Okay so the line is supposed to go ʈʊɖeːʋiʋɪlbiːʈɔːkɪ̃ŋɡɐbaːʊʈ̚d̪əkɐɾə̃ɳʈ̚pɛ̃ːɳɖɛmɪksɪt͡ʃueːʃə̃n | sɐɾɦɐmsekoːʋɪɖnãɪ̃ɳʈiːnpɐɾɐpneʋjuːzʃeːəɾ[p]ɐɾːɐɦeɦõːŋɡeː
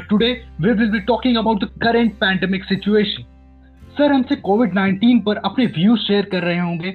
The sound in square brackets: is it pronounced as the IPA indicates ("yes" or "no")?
no